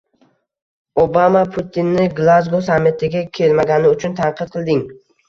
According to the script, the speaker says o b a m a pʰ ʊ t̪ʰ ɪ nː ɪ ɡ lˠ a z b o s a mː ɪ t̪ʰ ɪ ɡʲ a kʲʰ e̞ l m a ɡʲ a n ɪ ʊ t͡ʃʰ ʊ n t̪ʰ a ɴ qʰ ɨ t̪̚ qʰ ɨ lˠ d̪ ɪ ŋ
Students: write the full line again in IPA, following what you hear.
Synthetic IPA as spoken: o b a m a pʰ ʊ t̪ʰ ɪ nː ɪ ɡ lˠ a z ɡ o s a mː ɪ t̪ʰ ɪ ɡʲ a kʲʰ e̞ l m a ɡʲ a n ɪ ʊ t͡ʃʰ ʊ n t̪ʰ a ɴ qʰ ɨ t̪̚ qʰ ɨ lˠ d̪ ɪ ŋ